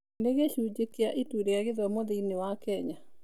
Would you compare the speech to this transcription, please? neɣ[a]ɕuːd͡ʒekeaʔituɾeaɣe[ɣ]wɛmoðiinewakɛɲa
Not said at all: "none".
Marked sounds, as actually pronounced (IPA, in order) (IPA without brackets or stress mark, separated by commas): e, ð